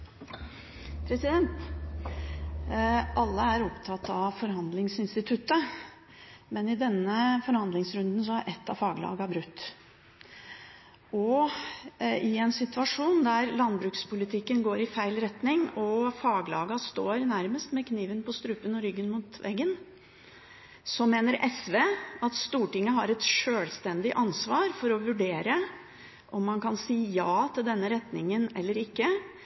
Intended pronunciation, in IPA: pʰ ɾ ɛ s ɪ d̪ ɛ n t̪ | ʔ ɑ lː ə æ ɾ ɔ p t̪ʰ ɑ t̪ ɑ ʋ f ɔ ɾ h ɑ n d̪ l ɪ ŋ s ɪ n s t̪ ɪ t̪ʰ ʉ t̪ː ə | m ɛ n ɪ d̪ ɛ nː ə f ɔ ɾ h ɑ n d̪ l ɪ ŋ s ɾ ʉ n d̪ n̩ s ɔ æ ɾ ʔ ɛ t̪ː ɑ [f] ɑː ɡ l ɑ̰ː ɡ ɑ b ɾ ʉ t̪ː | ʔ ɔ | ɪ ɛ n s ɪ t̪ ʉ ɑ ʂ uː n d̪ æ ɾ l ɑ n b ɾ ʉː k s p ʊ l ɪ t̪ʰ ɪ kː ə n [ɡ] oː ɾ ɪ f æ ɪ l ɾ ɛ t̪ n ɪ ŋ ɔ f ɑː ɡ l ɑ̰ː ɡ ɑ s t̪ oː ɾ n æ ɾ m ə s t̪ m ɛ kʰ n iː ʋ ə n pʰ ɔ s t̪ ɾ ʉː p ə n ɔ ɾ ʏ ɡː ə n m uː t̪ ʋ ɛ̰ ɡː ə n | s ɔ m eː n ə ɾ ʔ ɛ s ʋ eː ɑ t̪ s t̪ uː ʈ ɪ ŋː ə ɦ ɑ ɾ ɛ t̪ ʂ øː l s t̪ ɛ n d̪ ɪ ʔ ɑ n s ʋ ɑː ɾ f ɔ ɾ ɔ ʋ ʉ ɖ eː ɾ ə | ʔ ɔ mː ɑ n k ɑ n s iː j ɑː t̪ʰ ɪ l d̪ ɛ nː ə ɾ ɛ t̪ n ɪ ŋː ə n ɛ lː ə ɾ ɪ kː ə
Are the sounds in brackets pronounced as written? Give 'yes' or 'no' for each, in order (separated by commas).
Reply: yes, yes